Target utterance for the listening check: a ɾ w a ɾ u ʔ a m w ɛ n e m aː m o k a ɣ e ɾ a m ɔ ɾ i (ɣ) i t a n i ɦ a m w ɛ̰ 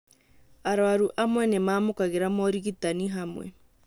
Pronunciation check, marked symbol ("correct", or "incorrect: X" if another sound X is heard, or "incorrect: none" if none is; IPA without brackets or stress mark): correct